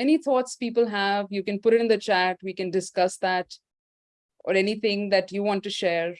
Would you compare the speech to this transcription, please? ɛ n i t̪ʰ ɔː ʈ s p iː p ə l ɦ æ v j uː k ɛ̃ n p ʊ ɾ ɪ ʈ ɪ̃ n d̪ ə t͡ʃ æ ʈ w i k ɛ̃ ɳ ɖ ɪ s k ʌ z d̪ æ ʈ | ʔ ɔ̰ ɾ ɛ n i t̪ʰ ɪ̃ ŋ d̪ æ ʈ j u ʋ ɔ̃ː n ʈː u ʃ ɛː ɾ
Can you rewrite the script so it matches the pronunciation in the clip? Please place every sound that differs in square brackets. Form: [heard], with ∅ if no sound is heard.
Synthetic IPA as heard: ɛ n i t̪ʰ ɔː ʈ s p iː p ə l ɦ æ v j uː k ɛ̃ n p ʊ ɾ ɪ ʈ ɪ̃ n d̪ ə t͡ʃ æ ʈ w i k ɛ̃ [n] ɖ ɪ s k ʌ [s] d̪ æ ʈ | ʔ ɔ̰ ɾ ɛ n i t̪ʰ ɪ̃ ŋ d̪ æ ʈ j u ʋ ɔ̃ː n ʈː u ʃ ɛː ɾ